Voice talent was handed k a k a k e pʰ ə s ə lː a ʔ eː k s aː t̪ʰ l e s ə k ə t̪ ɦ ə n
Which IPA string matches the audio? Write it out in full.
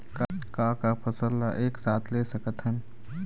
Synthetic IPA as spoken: k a k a k a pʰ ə s ə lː a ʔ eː k s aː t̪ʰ l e s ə k ə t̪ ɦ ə n